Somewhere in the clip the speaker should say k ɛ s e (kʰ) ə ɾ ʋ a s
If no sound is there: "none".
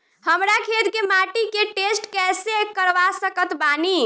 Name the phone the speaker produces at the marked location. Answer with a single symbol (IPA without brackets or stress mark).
k